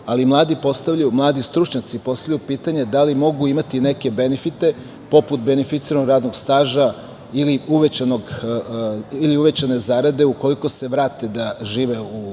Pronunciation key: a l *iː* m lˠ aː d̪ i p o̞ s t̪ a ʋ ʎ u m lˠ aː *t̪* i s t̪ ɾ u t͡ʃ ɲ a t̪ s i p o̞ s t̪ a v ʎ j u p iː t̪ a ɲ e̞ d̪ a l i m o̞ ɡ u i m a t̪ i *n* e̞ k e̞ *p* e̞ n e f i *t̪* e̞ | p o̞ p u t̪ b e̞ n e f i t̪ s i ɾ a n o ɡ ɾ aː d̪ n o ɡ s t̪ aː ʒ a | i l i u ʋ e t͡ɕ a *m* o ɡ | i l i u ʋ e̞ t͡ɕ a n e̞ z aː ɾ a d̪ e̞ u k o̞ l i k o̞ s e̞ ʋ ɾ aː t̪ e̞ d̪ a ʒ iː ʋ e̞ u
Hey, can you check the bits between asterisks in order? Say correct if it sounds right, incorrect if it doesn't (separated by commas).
incorrect, incorrect, correct, incorrect, correct, incorrect